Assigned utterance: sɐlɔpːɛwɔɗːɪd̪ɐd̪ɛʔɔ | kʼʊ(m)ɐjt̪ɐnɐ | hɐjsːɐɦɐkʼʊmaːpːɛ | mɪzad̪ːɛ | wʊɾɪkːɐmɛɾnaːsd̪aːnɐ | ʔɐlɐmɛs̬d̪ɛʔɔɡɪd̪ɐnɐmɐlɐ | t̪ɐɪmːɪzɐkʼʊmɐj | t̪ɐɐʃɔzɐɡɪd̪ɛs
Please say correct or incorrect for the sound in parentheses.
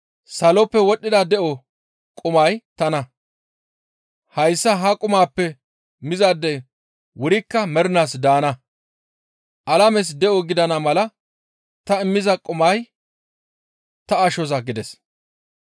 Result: correct